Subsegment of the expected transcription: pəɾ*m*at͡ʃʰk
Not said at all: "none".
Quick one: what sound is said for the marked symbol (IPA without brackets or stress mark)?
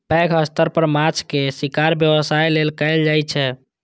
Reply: m